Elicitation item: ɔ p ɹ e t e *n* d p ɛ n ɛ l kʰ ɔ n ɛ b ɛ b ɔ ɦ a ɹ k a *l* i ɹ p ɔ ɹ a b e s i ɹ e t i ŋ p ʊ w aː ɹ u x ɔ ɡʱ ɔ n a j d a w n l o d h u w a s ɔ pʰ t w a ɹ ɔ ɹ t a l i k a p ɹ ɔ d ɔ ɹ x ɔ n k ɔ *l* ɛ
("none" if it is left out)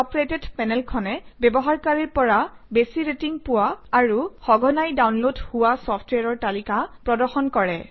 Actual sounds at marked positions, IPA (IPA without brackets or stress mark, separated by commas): none, ɹ, ɹ